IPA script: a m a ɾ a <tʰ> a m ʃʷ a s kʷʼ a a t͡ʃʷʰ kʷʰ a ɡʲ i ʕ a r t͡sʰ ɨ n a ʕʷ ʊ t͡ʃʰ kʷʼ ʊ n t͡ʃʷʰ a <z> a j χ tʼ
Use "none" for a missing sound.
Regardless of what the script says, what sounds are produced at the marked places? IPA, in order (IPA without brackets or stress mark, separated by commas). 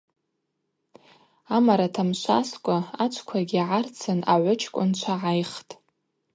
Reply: tʰ, ʕ